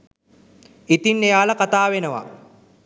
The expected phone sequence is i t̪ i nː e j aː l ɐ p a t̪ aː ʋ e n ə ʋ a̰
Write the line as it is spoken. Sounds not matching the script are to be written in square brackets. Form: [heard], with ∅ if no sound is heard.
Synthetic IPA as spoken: i t̪ i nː e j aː l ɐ [k] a t̪ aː ʋ e n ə ʋ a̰